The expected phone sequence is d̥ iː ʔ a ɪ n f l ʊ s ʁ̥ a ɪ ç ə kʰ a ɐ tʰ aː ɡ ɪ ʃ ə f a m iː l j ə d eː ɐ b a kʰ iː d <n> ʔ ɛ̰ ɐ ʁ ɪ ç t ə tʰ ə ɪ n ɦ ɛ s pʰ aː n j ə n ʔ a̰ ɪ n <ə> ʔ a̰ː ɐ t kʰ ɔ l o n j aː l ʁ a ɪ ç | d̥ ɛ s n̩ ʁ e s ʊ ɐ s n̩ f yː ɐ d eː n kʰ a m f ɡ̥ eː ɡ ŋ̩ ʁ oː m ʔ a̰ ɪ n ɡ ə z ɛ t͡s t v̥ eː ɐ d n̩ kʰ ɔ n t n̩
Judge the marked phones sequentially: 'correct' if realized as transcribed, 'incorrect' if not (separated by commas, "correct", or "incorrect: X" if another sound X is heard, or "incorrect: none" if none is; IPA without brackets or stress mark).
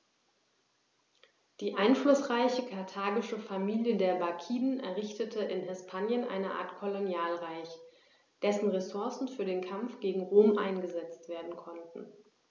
correct, correct